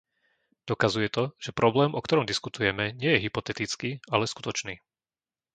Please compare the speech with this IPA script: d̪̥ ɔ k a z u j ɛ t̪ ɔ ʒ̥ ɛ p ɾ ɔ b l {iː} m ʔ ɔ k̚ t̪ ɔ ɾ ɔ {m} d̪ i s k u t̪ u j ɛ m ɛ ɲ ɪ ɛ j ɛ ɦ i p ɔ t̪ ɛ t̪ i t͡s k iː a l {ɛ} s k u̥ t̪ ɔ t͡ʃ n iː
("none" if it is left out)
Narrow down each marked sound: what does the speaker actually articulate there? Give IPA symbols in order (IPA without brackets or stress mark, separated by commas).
ɛː, m, ɛ